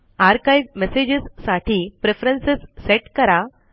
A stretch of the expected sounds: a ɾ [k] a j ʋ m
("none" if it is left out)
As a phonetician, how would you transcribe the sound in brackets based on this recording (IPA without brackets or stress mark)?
k